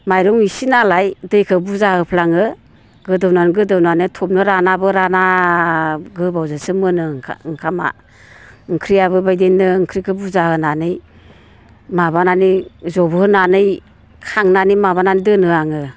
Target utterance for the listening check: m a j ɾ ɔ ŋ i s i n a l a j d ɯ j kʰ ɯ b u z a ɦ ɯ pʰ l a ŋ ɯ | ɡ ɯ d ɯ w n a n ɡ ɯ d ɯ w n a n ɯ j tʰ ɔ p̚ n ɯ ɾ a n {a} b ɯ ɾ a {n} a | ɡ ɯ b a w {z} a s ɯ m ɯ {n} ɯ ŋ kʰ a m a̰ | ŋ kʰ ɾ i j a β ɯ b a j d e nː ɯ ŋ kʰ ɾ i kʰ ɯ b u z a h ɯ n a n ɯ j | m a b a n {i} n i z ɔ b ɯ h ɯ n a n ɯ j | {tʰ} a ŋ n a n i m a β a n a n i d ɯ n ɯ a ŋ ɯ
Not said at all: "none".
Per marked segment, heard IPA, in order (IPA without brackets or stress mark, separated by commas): a, n, z, n, a, kʰ